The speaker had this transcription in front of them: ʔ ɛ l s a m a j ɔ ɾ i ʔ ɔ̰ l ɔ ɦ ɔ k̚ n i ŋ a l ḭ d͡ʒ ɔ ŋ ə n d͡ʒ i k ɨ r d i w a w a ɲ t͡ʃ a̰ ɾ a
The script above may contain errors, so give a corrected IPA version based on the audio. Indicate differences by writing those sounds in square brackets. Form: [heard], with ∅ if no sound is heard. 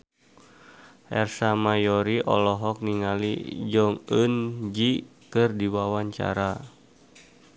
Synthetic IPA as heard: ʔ ɛ [r] s a m a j ɔ ɾ i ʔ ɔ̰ l ɔ ɦ ɔ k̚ n i ŋ a l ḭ d͡ʒ ɔ ŋ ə n d͡ʒ i k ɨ r d i w a w a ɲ t͡ʃ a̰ ɾ a